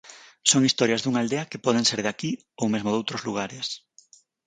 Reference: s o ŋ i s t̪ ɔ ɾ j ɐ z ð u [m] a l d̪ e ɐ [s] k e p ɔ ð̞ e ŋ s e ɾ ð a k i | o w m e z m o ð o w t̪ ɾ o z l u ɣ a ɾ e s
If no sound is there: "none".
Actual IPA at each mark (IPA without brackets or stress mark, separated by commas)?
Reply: ŋ, none